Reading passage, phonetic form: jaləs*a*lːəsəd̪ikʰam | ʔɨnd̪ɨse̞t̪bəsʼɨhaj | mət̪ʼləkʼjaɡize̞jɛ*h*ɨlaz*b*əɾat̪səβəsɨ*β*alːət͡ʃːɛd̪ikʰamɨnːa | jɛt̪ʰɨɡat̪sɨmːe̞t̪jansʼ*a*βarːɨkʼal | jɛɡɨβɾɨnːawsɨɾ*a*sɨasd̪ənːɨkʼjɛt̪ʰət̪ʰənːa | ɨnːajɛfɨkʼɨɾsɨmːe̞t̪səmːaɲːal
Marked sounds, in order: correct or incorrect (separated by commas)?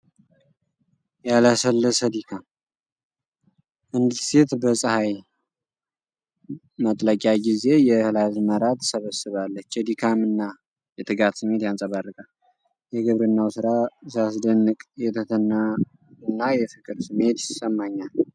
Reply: incorrect, correct, incorrect, correct, incorrect, correct